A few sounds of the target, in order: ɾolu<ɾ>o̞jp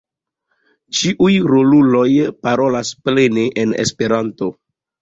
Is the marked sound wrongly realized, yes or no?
yes